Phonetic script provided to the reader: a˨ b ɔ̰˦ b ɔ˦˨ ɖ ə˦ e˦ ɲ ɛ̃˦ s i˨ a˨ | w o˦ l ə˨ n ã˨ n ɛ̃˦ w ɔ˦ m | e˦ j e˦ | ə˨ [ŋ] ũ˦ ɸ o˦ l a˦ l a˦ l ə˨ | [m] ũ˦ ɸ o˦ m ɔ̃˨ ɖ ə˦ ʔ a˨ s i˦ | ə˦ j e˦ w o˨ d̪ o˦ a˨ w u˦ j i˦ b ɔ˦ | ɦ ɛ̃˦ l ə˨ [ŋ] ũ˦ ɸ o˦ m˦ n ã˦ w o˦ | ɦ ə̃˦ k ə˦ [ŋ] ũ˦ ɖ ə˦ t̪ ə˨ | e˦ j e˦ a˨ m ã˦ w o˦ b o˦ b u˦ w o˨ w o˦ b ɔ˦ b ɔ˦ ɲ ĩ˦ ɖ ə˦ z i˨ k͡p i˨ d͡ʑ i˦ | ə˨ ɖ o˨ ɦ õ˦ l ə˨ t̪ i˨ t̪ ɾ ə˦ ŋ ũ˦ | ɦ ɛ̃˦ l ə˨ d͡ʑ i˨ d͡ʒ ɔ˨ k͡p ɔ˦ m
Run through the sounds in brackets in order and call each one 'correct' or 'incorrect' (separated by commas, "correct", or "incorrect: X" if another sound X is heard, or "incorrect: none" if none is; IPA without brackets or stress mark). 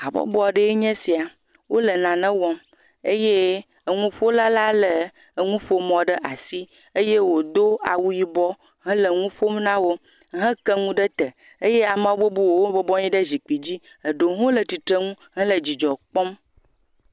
correct, incorrect: ŋ, correct, correct